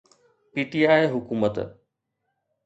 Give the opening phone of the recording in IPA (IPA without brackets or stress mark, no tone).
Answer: p